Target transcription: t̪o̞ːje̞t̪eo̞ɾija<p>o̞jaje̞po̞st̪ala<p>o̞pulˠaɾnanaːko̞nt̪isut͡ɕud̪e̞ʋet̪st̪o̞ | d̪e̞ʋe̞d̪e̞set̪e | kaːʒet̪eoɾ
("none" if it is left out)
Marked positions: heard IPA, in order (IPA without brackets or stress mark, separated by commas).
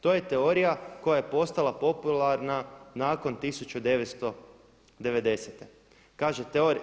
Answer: k, p